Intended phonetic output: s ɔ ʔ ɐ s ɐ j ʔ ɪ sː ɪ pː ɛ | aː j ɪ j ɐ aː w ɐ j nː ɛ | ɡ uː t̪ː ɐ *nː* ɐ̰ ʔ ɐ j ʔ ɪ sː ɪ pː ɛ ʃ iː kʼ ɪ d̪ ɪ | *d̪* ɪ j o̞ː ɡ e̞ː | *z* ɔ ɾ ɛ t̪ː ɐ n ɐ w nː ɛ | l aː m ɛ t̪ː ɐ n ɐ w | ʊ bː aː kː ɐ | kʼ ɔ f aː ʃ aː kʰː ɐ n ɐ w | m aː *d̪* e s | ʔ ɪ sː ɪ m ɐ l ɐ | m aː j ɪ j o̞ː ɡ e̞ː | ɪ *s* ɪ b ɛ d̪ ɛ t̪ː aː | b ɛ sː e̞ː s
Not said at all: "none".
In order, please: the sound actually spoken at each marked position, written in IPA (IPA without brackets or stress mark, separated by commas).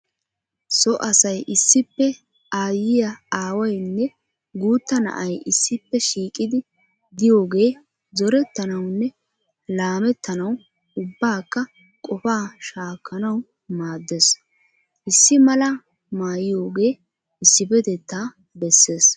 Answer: n, d̪, z, d̪ː, sː